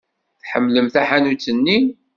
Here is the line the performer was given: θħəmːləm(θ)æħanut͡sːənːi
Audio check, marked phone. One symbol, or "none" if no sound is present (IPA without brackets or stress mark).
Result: θ